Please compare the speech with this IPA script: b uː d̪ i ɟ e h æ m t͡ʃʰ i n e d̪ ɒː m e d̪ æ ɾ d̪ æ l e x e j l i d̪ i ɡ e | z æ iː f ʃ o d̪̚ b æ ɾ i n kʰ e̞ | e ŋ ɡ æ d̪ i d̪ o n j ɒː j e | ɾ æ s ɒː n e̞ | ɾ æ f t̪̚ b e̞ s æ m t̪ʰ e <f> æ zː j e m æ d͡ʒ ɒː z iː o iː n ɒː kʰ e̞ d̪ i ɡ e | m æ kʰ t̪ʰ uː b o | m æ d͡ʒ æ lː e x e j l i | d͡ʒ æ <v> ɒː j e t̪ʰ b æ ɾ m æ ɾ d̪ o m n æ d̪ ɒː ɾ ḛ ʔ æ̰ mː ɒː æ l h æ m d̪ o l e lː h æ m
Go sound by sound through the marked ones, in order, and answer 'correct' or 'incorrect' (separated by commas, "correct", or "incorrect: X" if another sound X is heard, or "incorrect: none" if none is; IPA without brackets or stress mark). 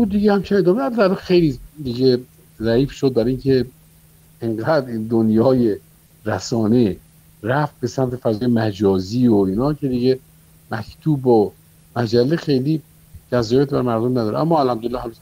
correct, incorrect: z